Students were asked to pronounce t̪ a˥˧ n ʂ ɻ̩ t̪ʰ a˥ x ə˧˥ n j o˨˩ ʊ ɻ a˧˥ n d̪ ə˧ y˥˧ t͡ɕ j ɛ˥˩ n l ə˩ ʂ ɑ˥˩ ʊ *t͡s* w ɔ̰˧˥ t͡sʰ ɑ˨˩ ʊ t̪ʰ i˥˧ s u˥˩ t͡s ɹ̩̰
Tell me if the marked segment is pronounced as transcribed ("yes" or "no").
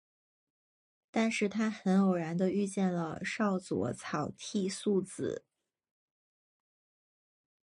yes